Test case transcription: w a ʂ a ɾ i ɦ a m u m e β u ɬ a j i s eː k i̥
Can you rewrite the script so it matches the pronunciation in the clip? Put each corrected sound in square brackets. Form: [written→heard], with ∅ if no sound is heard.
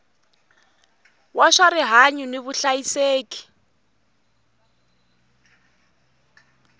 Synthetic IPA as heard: w a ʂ a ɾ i ɦ a [m→ɲ] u [m→n] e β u ɬ a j i s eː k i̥